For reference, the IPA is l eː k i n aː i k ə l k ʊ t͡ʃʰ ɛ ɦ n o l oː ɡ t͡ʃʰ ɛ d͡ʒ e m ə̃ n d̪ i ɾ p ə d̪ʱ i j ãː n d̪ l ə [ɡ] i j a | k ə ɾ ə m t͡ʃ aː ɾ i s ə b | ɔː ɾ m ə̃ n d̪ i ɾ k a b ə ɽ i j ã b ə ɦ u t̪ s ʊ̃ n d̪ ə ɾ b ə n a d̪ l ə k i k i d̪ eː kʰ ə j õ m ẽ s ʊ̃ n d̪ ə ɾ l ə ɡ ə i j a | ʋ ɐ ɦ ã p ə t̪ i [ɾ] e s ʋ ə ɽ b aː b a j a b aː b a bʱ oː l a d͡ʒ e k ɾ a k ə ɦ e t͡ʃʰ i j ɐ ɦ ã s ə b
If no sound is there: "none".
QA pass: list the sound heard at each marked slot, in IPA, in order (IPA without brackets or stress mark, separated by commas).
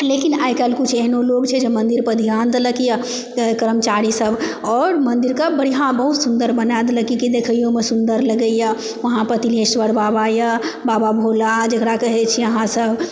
k, l